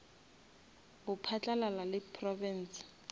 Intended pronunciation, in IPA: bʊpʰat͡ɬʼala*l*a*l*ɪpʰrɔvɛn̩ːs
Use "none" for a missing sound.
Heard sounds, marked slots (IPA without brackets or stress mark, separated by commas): l, l